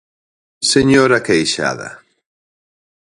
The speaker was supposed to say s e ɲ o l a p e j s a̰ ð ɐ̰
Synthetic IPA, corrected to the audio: s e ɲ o ɾ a k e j ʃ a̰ ð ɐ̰